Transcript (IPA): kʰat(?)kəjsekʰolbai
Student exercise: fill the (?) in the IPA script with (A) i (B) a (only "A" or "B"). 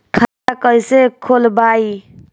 B